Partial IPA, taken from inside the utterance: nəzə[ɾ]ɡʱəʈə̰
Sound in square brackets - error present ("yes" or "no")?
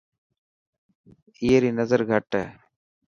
no